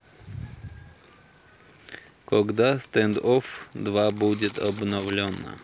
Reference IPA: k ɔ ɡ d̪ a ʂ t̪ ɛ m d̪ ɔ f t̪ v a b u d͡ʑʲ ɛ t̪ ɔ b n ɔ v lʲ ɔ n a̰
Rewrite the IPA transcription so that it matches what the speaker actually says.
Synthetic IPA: k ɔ ɡ d̪ a s t̪ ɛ n d̪ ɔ f d̪ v a b u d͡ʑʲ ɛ t̪ ɔ b n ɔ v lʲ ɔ n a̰